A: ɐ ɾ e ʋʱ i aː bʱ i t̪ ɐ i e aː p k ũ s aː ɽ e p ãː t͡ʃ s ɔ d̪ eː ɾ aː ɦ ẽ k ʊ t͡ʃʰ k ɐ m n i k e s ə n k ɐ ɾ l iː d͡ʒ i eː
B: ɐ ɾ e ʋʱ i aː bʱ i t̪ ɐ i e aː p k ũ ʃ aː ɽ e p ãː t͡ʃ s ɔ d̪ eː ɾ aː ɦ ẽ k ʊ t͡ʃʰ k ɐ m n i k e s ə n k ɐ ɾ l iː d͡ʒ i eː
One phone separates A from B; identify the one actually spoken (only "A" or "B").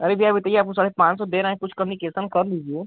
A